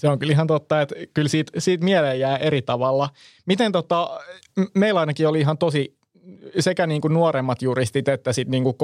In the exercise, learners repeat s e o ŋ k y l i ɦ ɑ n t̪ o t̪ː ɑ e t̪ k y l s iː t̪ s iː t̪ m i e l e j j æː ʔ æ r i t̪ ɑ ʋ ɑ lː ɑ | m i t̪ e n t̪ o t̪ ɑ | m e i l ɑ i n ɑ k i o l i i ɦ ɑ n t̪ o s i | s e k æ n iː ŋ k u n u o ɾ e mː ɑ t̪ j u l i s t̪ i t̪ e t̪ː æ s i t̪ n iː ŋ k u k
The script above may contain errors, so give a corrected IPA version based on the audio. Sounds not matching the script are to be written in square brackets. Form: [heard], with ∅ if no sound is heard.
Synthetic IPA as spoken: s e o ŋ k y l i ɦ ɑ n t̪ o t̪ː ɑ e t̪ k y l s iː t̪ s iː t̪ m i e l e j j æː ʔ [e] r i t̪ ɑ ʋ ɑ lː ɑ | m i t̪ e n t̪ o t̪ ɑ | m e i l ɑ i n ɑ k i o l i i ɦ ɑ n t̪ o s i | s e k æ n iː ŋ k u n u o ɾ e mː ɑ t̪ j u [r] i s t̪ i t̪ e t̪ː æ s i t̪ n iː ŋ k u k